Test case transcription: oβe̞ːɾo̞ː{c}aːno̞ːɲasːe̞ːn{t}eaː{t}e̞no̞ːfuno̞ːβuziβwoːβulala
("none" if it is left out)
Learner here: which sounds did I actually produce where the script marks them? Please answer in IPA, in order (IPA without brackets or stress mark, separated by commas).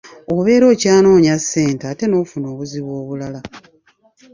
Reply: c, t, t